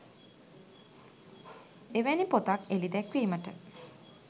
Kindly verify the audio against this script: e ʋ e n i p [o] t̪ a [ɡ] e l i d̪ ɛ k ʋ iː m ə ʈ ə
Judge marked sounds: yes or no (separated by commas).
yes, no